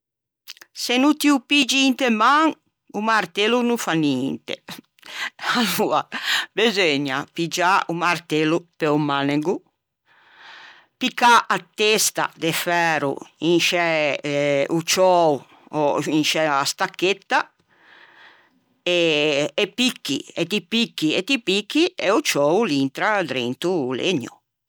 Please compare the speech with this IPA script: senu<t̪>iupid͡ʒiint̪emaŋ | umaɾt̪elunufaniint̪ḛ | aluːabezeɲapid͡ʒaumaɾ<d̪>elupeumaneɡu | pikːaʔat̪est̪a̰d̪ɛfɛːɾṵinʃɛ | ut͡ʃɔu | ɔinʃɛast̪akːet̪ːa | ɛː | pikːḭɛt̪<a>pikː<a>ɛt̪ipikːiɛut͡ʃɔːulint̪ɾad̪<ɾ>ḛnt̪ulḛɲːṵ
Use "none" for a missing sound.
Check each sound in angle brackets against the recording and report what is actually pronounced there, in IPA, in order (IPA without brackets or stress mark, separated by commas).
t̪, t̪, i, i, ɾ